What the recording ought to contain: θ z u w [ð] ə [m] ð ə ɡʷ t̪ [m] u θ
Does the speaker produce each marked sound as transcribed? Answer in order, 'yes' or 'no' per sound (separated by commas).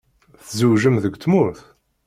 no, yes, yes